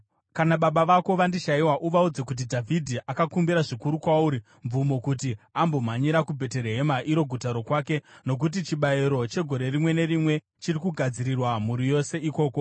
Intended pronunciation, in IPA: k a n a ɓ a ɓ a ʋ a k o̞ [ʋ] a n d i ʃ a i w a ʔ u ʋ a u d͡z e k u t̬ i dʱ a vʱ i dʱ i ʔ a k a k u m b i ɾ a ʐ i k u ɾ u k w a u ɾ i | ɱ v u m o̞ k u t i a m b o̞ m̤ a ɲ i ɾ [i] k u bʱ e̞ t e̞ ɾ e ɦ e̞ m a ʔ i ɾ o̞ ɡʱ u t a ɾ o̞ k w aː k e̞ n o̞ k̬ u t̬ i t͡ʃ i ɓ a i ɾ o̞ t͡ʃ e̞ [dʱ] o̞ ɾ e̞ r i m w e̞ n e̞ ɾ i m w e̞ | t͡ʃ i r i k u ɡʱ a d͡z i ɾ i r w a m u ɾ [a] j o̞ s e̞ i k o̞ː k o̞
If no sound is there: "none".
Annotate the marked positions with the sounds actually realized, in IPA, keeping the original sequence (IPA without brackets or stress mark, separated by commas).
ʋ, a, ɡʱ, i